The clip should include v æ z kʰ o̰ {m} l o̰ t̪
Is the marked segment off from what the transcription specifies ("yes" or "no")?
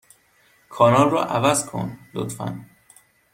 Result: yes